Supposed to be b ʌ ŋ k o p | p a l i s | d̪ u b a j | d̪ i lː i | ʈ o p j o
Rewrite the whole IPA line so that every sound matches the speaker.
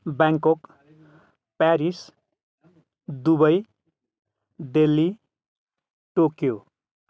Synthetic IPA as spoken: b a ŋ k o k | p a ɾ i s | d̪ u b ʌ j | d̪ e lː i | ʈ o k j o